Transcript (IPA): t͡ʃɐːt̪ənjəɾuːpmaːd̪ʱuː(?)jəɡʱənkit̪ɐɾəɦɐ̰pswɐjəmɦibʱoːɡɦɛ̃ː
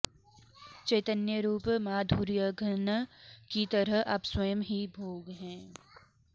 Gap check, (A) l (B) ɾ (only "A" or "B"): B